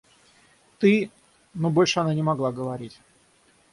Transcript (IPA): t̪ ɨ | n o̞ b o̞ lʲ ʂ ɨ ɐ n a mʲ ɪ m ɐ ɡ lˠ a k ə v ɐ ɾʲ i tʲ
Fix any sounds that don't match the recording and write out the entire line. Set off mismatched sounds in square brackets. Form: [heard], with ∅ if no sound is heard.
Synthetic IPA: t̪ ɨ | n o̞ b o̞ lʲ ʂ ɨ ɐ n a [nʲ] ɪ m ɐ ɡ lˠ a [ɡ] ə v ɐ ɾʲ i tʲ